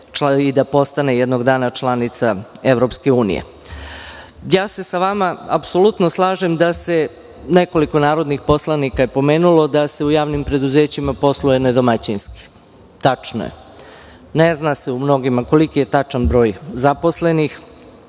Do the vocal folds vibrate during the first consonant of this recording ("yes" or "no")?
yes